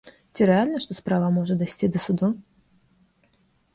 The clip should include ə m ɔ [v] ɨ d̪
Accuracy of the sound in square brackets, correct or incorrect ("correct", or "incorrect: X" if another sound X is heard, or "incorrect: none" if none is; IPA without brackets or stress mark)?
incorrect: ʐ